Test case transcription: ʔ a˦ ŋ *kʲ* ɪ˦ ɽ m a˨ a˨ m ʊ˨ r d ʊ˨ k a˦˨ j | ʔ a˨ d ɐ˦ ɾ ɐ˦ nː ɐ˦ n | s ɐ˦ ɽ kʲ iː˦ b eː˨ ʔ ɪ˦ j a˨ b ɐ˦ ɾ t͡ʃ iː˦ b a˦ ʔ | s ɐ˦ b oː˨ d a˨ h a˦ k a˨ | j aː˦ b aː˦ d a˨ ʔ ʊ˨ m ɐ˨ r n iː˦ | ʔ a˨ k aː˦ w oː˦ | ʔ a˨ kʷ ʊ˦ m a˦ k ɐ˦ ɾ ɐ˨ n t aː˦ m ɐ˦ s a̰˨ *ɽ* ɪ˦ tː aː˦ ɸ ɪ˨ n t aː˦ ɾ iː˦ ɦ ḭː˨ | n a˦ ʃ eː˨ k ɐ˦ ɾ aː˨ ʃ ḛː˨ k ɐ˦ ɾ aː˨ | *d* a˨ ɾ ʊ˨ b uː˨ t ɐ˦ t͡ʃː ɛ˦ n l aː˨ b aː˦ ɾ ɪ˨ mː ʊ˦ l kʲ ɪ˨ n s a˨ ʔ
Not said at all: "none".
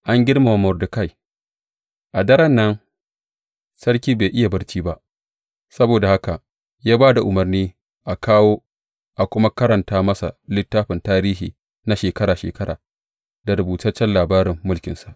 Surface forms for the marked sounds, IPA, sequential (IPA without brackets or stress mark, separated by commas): ɡʲ, l, d